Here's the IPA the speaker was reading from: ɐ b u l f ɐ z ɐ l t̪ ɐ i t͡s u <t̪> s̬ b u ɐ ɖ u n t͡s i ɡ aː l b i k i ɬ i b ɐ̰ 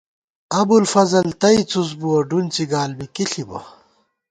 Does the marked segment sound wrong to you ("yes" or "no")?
yes